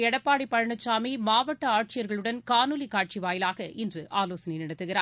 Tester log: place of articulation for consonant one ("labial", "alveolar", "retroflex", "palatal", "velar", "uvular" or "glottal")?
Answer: retroflex